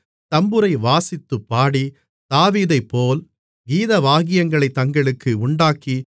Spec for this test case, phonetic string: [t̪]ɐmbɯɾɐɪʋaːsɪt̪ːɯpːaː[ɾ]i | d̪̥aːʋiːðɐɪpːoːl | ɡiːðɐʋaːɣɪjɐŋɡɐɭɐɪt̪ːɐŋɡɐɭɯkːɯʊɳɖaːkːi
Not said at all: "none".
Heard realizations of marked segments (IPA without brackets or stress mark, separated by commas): t̪, ɽ